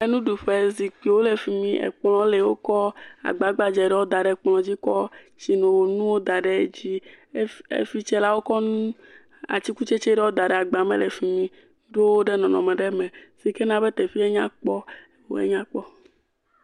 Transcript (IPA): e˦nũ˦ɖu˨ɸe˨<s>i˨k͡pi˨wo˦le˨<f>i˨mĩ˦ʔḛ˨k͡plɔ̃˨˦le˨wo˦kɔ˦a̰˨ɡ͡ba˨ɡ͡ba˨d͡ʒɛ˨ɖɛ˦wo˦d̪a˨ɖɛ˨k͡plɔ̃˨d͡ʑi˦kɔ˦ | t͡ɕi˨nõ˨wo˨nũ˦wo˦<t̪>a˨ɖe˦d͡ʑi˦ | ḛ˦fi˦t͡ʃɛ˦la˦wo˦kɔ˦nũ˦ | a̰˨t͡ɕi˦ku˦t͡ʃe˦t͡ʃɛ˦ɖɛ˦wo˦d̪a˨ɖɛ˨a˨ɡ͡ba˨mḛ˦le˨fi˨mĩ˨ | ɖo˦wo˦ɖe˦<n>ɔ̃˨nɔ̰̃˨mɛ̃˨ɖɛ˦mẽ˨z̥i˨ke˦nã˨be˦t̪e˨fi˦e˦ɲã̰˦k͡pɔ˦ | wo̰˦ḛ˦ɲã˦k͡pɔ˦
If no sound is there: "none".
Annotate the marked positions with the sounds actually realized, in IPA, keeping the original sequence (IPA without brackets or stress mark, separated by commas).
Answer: z, f, d̪, n